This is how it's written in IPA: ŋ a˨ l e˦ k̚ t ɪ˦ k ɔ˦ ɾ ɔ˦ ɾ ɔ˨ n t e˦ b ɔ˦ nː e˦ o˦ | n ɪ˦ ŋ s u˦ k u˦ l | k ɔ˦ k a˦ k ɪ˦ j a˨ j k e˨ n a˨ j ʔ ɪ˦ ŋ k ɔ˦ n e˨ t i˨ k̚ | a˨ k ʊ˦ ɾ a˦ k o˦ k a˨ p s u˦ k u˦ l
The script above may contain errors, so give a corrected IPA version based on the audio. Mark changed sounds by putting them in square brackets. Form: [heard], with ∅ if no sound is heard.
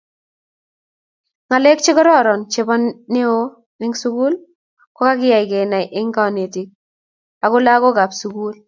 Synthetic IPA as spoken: ŋ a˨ l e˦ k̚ [t͡ʃ] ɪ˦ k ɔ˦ ɾ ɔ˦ ɾ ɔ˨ n [t͡ʃ] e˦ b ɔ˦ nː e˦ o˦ | n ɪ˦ ŋ s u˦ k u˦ l | k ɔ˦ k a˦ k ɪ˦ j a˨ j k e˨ n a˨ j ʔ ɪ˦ ŋ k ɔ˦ n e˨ t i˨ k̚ | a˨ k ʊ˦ [l] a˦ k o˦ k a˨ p s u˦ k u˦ l